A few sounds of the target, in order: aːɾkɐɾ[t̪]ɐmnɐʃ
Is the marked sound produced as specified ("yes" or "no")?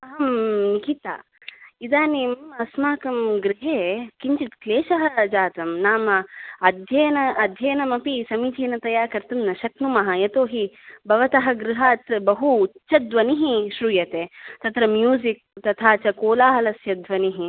yes